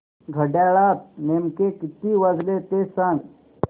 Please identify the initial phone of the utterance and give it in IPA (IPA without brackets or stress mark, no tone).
ɡʱ